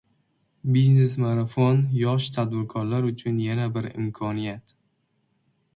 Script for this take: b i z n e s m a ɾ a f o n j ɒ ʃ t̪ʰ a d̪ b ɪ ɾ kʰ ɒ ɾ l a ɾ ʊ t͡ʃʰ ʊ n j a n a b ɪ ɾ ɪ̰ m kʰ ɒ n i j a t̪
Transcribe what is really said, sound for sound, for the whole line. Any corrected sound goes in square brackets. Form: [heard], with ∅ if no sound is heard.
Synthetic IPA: b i z n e s m a ɾ a f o n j ɒ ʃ t̪ʰ a d̪ b ɪ ɾ kʰ ɒ ɾ l a ɾ ʊ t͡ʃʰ ʊ n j a n a b ɪ ɾ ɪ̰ m kʰ ɒ n i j a t̪